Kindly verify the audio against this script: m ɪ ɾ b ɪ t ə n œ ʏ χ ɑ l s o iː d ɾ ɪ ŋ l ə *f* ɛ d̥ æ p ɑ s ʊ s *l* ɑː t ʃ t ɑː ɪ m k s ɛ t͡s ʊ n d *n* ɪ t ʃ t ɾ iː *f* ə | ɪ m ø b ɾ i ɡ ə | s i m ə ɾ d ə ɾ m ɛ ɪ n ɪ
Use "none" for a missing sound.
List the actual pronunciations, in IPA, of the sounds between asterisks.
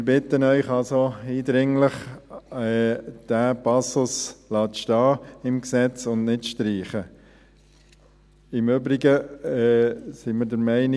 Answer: χ, l, n, χ

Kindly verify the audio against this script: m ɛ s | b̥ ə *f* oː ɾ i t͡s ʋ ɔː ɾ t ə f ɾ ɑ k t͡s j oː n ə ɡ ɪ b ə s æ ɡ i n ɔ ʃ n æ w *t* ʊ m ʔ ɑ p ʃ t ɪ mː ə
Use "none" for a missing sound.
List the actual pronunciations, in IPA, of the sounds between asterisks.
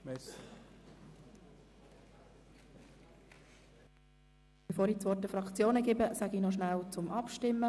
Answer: f, t͡s

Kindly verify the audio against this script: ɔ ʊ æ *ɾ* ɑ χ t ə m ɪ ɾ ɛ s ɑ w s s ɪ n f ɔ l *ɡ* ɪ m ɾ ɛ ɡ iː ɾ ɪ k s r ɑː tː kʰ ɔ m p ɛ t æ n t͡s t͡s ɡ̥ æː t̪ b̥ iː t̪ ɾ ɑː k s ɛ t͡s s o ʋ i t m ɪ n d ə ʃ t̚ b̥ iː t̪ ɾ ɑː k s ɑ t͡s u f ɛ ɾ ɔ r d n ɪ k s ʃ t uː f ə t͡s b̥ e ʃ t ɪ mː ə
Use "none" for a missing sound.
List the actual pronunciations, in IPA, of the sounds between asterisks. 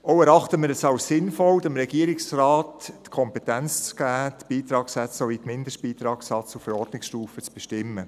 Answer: ɾ, d

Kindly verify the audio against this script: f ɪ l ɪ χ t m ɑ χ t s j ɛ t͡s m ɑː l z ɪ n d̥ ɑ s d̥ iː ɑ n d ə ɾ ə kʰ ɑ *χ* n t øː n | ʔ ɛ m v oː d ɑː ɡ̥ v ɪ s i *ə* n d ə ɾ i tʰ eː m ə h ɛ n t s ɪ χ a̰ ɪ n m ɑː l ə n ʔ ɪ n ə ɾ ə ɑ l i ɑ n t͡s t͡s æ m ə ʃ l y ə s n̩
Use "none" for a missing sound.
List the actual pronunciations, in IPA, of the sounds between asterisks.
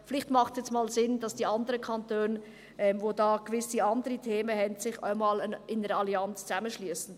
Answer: none, ɑ

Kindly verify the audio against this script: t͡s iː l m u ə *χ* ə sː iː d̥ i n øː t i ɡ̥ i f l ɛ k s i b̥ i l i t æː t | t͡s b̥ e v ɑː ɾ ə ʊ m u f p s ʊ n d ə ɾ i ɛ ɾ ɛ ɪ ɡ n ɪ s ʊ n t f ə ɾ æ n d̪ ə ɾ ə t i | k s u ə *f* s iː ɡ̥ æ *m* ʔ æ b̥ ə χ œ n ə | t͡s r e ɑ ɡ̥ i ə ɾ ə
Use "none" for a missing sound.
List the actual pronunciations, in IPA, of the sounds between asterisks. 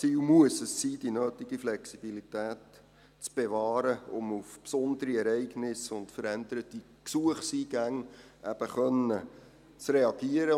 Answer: s, χ, ŋ

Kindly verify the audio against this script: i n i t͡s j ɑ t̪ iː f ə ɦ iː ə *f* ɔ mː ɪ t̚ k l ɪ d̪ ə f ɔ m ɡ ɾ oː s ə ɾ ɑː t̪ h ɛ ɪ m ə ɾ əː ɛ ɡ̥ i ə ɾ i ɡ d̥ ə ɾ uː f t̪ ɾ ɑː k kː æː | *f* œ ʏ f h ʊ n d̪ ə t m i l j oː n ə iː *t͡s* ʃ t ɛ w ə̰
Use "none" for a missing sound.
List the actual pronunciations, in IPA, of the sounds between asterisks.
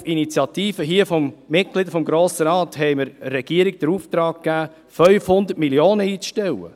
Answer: f, f, t͡s

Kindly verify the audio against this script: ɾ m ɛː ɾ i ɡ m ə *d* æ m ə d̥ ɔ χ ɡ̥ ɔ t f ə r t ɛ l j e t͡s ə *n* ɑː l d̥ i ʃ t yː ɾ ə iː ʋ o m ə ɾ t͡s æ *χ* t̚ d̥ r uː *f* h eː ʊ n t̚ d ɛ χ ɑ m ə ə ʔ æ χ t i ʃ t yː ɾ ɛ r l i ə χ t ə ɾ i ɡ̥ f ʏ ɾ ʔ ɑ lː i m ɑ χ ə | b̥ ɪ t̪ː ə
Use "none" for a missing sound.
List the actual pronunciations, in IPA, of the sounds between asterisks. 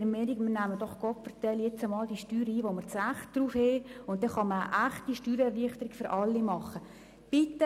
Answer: n, m, χ, f

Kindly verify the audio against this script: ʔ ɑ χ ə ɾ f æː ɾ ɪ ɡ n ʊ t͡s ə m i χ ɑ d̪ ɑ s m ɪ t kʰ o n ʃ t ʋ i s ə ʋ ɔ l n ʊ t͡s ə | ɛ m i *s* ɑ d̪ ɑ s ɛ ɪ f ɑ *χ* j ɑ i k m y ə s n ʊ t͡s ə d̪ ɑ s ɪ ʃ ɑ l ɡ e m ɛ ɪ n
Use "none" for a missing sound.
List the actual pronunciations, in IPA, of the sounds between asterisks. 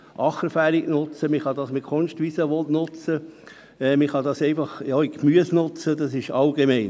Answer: χ, χ

